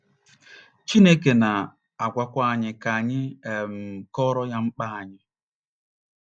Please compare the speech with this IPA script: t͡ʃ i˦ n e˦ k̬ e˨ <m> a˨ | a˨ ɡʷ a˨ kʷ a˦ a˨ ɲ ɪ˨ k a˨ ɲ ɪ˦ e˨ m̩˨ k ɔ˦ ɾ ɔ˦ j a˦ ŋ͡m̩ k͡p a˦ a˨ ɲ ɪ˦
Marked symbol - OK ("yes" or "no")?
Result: no